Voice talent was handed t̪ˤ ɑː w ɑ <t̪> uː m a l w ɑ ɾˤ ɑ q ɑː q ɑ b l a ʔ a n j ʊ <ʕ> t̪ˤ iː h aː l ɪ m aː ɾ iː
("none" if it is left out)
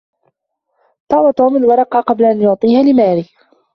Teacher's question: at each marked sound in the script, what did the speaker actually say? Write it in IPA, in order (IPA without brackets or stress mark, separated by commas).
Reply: t̪, ʕ